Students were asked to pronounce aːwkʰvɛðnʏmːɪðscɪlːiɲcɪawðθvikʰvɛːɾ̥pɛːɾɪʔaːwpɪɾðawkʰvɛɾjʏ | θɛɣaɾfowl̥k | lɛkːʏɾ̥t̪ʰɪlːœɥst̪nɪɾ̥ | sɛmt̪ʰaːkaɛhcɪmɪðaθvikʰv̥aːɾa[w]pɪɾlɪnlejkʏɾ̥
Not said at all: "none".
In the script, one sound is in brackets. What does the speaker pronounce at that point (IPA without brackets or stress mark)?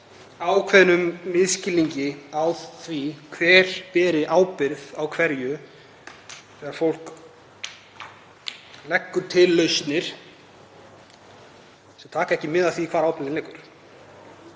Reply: w